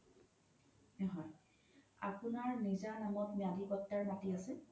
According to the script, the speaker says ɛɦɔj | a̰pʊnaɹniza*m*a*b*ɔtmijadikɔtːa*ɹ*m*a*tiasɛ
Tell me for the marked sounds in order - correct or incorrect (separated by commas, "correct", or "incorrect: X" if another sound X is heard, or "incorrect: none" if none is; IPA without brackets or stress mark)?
incorrect: n, incorrect: m, correct, correct